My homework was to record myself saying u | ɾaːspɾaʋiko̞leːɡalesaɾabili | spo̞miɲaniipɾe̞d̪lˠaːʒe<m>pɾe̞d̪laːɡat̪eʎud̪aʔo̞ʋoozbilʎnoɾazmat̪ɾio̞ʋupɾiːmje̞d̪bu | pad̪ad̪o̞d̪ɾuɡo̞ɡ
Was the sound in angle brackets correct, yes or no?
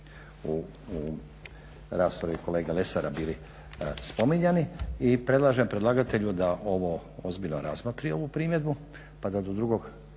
yes